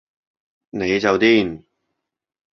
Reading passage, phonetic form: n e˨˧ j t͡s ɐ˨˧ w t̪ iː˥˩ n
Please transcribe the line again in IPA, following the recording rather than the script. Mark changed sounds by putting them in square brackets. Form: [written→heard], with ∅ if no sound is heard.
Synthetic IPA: n e˨˧ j t͡s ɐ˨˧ w t̪ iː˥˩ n